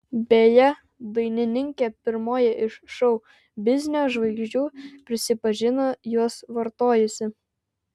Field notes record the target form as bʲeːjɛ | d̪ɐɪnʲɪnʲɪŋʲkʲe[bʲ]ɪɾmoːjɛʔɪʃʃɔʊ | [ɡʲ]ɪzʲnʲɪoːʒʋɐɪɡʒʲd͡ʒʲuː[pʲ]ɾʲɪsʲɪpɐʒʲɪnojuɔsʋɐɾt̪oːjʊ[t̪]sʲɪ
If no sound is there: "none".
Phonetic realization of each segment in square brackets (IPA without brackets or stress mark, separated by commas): pʲ, bʲ, pʲ, none